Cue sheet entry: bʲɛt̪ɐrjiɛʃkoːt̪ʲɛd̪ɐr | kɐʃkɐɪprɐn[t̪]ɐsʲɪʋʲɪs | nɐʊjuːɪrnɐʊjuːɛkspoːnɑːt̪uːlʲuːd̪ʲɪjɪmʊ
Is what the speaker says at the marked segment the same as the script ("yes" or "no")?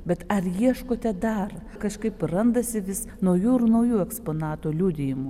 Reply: no